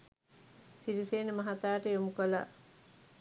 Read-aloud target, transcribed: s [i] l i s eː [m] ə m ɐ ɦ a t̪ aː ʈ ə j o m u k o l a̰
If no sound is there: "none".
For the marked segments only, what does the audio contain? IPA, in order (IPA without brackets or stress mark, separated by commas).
i, n